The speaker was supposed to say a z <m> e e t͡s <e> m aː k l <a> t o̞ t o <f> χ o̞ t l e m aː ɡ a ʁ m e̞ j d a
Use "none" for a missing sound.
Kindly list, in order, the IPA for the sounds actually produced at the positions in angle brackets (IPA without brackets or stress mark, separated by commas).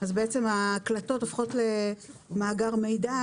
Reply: b, e, a, f